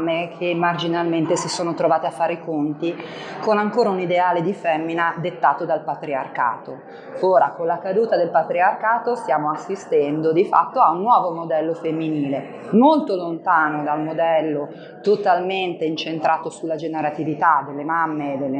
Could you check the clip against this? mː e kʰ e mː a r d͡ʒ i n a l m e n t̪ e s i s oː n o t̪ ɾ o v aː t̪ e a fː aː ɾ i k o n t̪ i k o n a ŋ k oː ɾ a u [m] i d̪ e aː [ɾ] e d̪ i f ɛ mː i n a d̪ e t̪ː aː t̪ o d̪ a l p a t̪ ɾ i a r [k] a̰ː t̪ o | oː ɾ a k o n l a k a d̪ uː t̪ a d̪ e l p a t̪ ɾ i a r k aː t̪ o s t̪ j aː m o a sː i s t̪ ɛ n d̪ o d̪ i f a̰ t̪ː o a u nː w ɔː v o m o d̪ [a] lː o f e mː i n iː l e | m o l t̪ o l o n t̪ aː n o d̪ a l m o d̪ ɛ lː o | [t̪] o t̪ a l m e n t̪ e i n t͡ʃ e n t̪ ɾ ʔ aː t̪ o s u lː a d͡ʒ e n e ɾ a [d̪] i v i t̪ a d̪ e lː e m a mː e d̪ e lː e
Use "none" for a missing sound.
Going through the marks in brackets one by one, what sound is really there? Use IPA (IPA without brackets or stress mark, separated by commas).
n, l, k, ɛ, t̪, t̪